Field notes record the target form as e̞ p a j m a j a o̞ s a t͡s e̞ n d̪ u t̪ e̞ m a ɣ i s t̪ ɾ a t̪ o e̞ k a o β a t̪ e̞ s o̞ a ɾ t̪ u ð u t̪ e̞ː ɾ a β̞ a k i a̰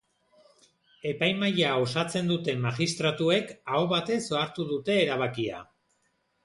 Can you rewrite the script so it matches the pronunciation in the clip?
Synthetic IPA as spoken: e̞ p a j m a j a o̞ s a t͡s e̞ n d̪ u t̪ e̞ m a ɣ i s t̪ ɾ a t̪ u e̞ k a o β a t̪ e̞ s o̞ a ɾ t̪ u ð u t̪ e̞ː ɾ a β̞ a k i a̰